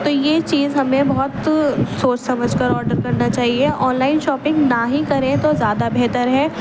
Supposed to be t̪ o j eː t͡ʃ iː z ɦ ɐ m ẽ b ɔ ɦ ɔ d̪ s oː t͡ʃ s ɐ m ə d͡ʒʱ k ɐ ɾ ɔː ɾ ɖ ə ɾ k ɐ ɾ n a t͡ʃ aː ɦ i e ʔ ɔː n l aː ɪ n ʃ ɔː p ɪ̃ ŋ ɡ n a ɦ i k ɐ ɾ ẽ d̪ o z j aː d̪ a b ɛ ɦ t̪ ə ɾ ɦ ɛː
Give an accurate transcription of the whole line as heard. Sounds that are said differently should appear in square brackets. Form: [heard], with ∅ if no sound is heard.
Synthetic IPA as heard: t̪ o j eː t͡ʃ iː z ɦ ɐ m ẽ b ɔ ɦ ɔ [t̪] s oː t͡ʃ s ɐ m ə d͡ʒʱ k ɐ ɾ ɔː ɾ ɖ ə ɾ k ɐ ɾ n a t͡ʃ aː ɦ i e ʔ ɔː n l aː ɪ n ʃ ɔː p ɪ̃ ŋ ɡ n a ɦ i k ɐ ɾ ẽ [t̪] o z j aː d̪ a b ɛ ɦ t̪ ə ɾ ɦ ɛː